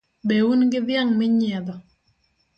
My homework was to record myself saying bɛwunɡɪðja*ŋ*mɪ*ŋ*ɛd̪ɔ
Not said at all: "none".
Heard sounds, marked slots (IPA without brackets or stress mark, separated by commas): ŋ, ɲ